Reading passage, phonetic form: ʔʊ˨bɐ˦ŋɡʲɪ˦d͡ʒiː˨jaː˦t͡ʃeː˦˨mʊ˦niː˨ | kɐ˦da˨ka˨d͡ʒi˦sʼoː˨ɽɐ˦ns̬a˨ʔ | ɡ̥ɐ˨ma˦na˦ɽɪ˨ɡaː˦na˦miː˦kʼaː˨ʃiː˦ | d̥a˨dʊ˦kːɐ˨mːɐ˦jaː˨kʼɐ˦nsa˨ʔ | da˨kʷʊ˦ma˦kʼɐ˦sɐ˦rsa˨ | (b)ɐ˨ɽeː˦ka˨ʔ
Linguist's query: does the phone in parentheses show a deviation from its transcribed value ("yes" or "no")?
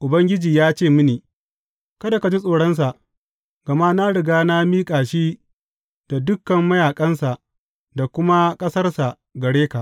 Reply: yes